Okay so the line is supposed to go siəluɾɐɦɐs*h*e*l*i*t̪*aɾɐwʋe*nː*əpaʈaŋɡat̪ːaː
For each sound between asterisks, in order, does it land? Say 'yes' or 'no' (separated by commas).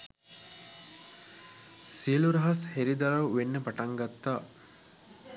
yes, no, no, yes